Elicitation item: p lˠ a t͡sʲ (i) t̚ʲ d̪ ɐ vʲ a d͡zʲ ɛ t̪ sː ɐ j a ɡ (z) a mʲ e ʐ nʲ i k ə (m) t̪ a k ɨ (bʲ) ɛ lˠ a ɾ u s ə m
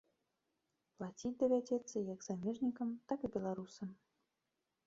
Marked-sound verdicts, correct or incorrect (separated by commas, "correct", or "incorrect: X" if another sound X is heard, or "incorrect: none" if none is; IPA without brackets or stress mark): correct, correct, correct, correct